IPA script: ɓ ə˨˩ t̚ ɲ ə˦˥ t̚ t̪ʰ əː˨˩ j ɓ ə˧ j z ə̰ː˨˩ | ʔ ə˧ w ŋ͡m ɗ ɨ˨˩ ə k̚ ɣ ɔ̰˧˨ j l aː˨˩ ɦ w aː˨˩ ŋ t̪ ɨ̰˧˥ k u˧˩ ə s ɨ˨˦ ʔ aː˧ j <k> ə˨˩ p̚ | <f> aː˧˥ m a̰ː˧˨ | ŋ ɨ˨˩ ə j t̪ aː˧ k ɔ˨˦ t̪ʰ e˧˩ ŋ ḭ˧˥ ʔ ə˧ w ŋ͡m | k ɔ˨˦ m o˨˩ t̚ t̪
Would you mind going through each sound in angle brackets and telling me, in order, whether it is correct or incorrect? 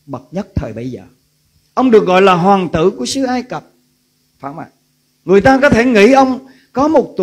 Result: correct, correct

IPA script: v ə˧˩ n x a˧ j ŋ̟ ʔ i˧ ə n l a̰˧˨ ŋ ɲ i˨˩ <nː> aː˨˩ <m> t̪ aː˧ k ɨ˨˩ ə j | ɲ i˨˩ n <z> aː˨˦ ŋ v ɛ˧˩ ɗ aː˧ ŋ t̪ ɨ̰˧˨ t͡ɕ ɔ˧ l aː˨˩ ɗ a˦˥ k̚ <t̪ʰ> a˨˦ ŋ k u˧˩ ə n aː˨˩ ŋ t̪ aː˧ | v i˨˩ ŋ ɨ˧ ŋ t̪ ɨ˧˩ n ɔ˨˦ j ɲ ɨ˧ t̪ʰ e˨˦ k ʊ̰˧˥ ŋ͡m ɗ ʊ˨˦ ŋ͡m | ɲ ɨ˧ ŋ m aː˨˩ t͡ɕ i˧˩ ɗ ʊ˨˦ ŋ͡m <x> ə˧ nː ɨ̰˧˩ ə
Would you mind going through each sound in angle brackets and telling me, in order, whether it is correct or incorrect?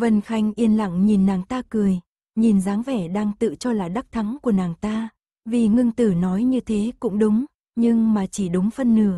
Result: correct, incorrect: ŋ, correct, correct, incorrect: f

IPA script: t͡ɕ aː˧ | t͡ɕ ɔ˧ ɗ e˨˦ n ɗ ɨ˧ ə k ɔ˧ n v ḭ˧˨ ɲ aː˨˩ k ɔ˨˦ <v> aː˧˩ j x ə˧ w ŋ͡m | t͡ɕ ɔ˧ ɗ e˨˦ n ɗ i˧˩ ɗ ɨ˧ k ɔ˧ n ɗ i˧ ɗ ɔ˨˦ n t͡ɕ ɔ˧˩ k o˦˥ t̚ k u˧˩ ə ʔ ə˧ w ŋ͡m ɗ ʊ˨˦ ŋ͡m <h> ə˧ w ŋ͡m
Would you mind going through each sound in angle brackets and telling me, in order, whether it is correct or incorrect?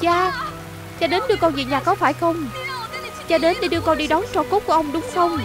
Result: incorrect: f, incorrect: x

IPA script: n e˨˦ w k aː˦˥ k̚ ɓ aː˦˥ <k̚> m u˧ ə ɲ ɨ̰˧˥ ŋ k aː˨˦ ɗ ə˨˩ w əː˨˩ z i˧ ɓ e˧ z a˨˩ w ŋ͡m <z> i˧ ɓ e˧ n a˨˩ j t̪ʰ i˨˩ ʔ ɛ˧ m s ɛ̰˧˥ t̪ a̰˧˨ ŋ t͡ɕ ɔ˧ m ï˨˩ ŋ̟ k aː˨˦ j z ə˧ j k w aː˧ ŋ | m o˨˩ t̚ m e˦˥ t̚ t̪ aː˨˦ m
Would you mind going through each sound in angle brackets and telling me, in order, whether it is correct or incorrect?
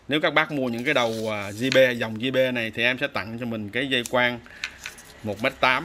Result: correct, correct

